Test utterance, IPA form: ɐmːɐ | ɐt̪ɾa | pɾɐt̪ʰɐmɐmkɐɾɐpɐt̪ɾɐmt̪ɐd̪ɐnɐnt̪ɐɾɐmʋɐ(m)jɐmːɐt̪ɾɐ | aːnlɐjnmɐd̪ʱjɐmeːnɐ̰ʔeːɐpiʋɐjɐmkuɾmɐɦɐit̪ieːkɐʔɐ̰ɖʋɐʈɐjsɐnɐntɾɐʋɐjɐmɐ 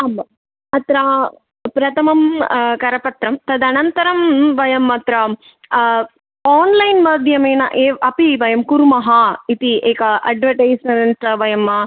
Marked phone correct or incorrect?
incorrect